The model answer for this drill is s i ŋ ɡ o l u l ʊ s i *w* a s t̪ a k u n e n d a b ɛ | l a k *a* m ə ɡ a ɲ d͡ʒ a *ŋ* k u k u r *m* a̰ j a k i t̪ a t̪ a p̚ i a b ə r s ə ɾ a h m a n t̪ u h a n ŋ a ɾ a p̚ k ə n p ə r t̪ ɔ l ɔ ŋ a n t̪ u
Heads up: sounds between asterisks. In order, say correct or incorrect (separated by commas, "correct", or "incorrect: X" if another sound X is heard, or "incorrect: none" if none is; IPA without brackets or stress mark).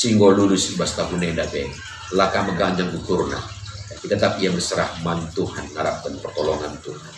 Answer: incorrect: b, correct, correct, incorrect: n